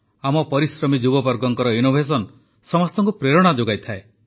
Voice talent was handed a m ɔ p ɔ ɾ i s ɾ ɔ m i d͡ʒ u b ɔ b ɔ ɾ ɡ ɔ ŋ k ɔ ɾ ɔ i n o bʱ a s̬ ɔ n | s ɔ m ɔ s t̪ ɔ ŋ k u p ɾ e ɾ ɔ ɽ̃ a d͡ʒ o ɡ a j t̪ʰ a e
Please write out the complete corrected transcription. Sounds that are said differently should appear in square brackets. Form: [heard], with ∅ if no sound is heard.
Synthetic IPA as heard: a m ɔ p ɔ ɾ i s ɾ ɔ m i d͡ʒ u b ɔ b ɔ ɾ ɡ ɔ ŋ k ɔ ɾ ɔ i n o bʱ [e] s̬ ɔ n | s ɔ m ɔ s t̪ ɔ ŋ k u p ɾ e ɾ ɔ ɽ̃ a d͡ʒ o ɡ a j t̪ʰ a e